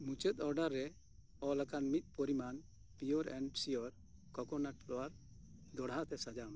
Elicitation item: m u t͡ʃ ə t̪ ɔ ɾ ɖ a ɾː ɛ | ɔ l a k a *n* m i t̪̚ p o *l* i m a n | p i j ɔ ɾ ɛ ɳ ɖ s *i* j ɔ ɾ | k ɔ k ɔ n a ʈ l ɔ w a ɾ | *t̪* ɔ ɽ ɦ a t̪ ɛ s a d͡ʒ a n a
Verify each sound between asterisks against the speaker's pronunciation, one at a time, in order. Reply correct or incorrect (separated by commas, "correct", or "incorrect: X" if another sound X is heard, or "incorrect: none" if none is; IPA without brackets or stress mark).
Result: correct, incorrect: ɾ, correct, incorrect: d̪